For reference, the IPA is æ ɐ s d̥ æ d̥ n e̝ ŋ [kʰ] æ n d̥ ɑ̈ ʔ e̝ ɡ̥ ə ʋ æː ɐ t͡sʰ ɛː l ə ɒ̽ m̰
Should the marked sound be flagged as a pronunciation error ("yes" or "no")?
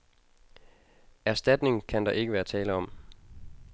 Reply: no